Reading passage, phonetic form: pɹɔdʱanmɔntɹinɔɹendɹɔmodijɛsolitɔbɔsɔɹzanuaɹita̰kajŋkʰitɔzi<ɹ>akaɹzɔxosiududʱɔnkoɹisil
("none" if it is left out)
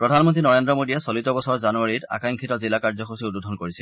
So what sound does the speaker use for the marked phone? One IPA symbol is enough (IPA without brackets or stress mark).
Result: l